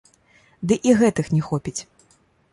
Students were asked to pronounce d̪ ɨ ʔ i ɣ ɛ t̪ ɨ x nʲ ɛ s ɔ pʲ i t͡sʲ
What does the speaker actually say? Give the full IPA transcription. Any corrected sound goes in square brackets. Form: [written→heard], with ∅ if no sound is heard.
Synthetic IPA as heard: d̪ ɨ ʔ i ɣ ɛ t̪ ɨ x nʲ ɛ [s→x] ɔ pʲ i t͡sʲ